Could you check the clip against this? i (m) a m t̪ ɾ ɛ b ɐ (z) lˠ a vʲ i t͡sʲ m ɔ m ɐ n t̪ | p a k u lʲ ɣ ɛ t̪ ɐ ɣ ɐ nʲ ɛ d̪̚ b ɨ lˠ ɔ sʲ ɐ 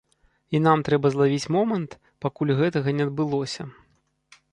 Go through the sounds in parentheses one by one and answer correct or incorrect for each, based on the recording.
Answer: incorrect: n, correct

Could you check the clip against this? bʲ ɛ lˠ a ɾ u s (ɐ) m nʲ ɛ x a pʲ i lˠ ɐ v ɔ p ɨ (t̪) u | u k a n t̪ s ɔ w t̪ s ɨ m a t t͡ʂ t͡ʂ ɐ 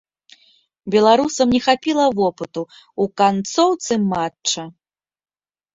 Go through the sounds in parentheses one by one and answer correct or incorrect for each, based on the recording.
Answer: correct, correct

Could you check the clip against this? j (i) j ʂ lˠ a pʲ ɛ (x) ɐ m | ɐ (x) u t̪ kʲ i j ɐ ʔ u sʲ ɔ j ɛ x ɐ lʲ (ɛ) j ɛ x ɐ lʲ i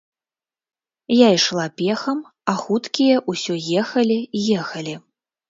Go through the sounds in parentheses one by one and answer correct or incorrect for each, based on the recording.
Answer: incorrect: a, correct, correct, incorrect: i

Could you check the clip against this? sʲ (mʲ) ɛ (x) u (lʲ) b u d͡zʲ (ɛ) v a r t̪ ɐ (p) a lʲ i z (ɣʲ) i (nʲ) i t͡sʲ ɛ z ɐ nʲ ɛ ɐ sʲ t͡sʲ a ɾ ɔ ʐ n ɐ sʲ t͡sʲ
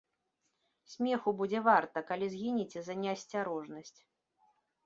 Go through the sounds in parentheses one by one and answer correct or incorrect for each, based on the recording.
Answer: correct, correct, incorrect: none, correct, incorrect: k, correct, correct

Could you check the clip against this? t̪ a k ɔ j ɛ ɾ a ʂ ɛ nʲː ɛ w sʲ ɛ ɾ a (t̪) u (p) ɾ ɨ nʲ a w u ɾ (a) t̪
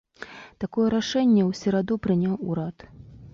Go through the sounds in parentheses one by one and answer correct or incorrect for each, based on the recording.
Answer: incorrect: d̪, correct, correct

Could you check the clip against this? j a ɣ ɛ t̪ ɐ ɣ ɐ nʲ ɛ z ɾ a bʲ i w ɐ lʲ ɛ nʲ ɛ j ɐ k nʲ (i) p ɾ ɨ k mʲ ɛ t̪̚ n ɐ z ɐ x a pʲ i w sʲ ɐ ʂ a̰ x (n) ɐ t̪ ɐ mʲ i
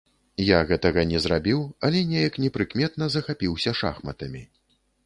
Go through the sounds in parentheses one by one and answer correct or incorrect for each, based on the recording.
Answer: incorrect: ɛ, incorrect: m

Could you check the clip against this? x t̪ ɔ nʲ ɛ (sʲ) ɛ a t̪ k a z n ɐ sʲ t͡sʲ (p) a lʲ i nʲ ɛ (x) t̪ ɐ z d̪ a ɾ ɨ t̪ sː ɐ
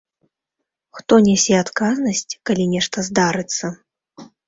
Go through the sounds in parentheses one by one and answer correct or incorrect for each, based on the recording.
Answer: correct, incorrect: k, incorrect: ʂ

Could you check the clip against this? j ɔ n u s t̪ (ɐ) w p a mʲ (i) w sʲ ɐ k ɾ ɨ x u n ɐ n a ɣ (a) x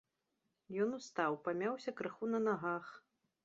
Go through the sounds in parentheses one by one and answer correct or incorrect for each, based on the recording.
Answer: incorrect: a, incorrect: a, correct

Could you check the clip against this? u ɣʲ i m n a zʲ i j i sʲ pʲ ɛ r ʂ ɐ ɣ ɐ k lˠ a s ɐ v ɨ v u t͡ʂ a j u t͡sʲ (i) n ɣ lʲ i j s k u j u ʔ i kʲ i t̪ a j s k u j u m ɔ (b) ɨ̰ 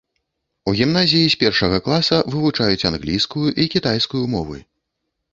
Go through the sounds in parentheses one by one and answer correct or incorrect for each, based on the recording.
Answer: incorrect: a, incorrect: v

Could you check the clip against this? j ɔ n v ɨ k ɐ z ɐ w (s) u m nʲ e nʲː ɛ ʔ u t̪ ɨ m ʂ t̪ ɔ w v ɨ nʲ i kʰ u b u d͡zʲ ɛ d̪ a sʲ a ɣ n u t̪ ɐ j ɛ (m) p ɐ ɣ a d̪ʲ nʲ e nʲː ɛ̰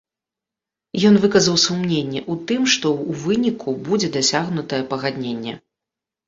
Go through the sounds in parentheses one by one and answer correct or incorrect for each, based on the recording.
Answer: correct, incorrect: none

